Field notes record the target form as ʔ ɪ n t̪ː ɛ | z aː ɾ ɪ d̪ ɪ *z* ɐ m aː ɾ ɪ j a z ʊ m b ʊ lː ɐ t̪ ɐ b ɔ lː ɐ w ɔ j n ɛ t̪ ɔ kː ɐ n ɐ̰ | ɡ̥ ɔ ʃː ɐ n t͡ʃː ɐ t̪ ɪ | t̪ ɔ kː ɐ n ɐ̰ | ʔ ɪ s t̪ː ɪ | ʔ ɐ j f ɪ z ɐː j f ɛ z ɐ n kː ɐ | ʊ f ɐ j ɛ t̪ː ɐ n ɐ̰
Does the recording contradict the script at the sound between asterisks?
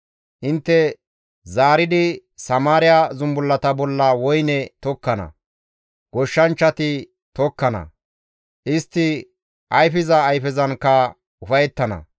yes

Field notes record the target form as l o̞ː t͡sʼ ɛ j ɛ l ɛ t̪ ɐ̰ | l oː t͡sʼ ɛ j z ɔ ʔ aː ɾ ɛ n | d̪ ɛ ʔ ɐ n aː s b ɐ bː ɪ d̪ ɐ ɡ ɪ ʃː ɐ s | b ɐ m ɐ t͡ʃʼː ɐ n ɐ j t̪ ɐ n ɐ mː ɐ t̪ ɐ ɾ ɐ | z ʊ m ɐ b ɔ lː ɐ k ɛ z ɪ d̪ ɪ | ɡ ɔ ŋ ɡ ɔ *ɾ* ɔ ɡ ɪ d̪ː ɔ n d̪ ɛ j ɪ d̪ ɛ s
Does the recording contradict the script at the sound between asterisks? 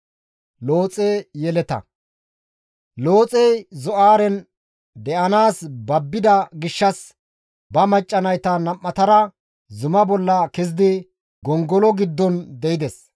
yes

